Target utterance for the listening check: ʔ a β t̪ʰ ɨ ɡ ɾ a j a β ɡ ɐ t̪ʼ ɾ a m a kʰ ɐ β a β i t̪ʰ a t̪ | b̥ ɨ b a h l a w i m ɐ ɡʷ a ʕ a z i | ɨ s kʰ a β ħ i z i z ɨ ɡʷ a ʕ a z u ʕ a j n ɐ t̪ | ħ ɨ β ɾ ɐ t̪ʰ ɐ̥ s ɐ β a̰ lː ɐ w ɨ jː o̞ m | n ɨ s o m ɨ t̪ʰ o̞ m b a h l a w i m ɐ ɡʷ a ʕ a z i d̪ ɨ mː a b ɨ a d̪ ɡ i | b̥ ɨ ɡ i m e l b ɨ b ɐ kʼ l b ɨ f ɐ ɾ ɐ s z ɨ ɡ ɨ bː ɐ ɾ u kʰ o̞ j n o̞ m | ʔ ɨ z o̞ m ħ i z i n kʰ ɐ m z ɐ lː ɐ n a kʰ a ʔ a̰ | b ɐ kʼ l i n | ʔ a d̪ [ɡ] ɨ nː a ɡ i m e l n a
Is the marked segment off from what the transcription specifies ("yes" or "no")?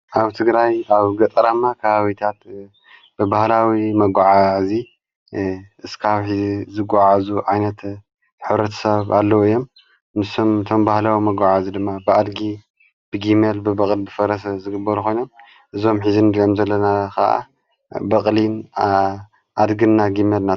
no